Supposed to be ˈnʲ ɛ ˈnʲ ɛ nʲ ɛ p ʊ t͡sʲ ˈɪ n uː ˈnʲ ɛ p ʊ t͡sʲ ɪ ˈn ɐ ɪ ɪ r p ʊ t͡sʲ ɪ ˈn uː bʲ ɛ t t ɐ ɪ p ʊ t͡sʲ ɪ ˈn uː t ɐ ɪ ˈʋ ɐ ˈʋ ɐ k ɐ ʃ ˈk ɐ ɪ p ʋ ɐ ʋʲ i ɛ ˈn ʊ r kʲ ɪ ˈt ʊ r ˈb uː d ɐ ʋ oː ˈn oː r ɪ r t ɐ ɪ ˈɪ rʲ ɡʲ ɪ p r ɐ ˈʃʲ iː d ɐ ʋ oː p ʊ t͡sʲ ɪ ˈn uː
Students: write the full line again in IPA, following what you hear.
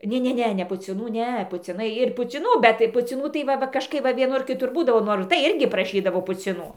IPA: ˈnʲ ɛ ˈnʲ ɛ nʲ ɛ p ʊ t͡sʲ ˈɪ n uː ˈnʲ ɛ p ʊ t͡sʲ ɪ ˈn ɐ ɪ ɪ r p ʊ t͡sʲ ɪ ˈn uː bʲ ɛ t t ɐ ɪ p ʊ t͡sʲ ɪ ˈn uː t ɐ ɪ ˈʋ ɐ ˈʋ ɐ k ɐ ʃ ˈk ɐ ɪ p ʋ ɐ ʋʲ i ɛ ˈn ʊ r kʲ ɪ ˈt ʊ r ˈb uː d ɐ ʋ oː ˈn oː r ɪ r t ɐ ɪ ˈɪ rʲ ɡʲ ɪ p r ɐ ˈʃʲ iː d ɐ ʋ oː p ʊ t͡sʲ ɪ ˈn uː